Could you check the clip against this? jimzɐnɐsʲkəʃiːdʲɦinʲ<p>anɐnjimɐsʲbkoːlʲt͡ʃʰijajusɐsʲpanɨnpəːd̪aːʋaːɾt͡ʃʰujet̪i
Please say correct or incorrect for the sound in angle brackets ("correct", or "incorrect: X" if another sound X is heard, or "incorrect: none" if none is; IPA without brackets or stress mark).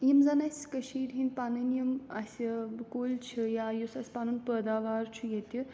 correct